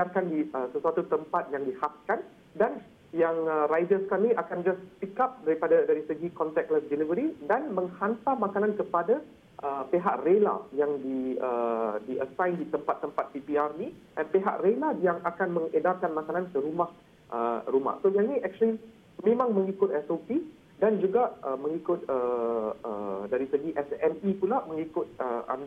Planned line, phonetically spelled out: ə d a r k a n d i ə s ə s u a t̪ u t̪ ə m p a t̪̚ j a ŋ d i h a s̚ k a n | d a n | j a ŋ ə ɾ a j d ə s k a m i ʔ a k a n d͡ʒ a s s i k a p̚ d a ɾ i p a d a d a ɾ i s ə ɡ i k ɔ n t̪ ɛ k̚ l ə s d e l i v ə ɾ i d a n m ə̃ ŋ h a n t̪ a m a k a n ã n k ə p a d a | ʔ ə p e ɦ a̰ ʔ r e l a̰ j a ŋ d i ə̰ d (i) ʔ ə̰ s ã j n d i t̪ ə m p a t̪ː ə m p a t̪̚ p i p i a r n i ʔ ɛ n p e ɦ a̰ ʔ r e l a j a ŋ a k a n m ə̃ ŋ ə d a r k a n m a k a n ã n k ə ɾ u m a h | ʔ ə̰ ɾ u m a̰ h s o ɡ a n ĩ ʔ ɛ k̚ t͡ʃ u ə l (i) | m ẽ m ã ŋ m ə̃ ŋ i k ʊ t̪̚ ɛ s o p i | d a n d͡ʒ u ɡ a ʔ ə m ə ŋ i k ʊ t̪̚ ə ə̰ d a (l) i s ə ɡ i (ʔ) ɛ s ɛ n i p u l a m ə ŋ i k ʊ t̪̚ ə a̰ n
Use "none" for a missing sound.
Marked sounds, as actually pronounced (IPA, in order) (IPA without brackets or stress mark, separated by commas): i, i, ɾ, ʔ